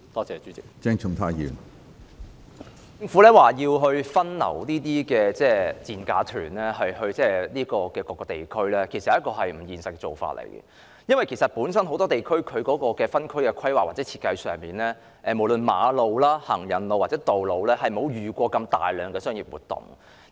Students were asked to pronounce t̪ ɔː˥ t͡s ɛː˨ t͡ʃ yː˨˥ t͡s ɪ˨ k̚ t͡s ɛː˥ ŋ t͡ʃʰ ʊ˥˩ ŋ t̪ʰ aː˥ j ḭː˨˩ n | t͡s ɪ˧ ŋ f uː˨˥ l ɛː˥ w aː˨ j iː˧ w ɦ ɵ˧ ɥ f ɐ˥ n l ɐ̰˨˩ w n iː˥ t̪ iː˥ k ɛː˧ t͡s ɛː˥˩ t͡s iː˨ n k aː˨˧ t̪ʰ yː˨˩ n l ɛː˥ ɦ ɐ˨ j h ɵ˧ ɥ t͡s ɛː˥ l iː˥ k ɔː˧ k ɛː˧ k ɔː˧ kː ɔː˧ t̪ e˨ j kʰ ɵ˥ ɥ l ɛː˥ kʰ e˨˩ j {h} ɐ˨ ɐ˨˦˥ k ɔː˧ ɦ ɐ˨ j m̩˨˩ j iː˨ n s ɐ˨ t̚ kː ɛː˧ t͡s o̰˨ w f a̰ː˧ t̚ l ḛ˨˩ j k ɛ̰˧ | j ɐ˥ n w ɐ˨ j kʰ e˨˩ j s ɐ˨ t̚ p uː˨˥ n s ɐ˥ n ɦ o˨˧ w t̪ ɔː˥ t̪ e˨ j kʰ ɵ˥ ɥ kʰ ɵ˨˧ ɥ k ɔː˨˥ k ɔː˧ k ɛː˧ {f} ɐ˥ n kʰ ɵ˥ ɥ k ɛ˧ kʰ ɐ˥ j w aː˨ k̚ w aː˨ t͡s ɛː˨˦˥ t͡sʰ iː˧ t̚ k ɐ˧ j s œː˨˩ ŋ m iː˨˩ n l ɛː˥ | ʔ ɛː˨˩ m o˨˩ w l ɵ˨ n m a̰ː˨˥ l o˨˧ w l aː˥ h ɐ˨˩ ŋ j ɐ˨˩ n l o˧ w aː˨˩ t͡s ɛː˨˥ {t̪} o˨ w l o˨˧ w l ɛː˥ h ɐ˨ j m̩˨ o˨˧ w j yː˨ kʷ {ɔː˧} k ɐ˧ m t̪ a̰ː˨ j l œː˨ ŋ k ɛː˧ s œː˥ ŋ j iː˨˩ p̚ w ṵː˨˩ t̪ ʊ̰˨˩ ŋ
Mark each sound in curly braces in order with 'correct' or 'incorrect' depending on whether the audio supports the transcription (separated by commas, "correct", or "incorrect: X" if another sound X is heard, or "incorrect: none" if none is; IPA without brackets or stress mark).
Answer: incorrect: s, correct, correct, correct